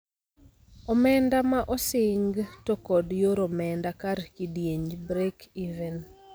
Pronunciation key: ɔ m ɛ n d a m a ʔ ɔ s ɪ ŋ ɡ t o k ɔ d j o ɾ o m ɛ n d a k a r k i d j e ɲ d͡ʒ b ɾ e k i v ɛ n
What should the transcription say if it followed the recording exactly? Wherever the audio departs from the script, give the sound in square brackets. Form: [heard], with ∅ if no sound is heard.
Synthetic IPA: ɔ m ɛ n d a m a ʔ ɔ s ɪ ŋ ɡ t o k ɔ d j o ɾ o m ɛ n d a k a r k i d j e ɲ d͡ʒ b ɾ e k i v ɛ n